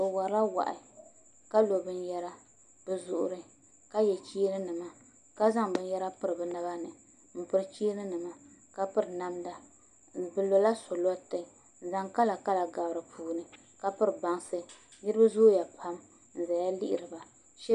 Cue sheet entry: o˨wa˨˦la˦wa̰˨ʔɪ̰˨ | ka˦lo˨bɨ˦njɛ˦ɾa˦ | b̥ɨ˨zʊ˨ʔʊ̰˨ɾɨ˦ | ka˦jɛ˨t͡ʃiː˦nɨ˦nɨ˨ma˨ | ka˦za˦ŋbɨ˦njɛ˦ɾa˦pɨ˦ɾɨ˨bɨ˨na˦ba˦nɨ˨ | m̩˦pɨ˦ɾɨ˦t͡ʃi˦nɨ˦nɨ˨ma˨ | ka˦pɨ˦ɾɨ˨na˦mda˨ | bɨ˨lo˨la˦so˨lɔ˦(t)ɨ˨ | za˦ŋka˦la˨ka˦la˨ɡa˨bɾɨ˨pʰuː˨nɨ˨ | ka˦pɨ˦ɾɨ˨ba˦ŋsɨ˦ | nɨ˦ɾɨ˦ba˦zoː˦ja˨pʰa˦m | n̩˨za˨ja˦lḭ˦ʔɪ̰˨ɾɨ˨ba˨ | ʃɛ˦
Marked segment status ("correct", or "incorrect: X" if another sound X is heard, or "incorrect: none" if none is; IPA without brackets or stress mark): correct